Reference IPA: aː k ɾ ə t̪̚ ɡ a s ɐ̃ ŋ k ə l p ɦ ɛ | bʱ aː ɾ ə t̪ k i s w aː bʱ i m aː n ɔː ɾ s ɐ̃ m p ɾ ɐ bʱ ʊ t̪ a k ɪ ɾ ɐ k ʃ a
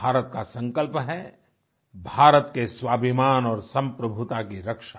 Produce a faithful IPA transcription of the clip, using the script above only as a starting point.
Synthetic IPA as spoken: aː ɾ ə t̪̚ k a s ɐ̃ ŋ k ə l p ɦ ɛ | bʱ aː ɾ ə t̪ k e s w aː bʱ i m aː n ɔː ɾ s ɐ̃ m p ɾ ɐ bʱ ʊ t̪ a k i ɾ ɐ k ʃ a